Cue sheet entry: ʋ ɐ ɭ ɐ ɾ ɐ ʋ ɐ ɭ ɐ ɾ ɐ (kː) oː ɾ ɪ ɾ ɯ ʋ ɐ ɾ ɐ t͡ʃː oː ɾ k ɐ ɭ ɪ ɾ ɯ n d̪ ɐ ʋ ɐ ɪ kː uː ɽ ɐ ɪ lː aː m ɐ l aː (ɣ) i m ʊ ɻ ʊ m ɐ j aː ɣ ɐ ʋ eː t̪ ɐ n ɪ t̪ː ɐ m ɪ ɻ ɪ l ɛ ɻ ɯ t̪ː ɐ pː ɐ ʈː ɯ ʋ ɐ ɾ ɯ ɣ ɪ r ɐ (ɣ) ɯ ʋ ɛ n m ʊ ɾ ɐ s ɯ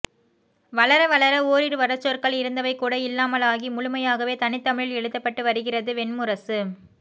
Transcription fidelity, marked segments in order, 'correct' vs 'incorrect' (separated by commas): incorrect, correct, incorrect